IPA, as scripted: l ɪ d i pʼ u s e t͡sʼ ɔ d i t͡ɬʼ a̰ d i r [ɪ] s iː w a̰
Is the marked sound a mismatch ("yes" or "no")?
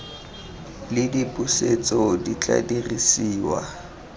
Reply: yes